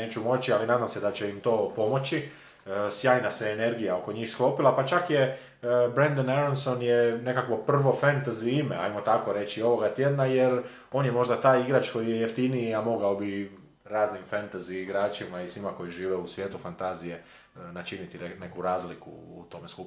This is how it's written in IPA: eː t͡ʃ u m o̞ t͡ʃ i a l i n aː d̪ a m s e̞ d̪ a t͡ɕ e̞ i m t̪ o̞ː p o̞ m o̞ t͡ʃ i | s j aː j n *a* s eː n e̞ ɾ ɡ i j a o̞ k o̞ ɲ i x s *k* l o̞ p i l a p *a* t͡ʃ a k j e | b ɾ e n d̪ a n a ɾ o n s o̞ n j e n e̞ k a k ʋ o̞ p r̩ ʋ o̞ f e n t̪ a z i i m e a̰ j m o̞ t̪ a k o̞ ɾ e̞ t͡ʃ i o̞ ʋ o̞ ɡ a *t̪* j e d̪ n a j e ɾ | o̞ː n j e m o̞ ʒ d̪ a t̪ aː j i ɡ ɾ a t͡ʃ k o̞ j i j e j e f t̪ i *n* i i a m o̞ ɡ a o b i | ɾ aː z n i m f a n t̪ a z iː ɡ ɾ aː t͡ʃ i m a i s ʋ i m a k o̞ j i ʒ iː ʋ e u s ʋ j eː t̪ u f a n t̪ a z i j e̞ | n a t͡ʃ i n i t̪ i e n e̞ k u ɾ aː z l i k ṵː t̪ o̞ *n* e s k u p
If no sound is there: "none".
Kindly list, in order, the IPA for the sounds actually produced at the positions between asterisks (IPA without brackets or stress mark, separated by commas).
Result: a, k, a, t̪, n, m